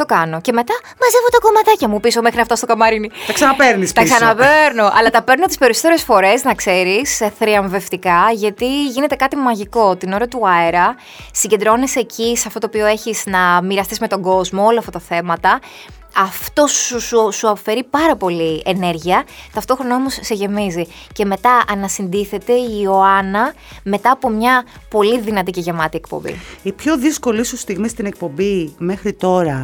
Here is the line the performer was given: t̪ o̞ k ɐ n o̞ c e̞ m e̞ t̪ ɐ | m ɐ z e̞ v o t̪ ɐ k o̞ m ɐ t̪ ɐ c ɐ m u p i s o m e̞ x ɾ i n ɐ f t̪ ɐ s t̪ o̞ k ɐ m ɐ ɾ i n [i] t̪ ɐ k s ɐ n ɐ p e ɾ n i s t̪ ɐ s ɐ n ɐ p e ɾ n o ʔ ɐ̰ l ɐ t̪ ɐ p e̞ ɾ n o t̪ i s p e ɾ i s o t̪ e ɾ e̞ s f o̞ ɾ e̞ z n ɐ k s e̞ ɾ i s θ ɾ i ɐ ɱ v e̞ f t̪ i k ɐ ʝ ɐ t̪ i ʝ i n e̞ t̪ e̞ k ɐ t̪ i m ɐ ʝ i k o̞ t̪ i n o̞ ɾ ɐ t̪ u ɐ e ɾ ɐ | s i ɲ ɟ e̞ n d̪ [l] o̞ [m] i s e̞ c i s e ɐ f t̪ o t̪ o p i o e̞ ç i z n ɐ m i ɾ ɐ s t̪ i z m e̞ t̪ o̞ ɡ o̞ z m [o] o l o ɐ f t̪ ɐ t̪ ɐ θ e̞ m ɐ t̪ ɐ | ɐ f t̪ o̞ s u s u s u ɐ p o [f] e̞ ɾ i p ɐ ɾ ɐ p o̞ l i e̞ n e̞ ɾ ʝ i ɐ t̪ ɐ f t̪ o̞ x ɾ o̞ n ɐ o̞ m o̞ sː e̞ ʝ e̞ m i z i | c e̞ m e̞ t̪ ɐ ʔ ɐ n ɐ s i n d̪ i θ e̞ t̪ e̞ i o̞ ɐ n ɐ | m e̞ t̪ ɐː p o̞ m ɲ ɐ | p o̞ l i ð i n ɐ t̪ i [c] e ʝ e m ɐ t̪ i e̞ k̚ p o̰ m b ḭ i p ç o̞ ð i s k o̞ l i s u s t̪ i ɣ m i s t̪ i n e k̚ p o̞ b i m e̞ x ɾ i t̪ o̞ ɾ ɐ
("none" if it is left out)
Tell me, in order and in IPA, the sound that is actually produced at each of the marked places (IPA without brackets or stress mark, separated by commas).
i, ɾ, n, o, f, c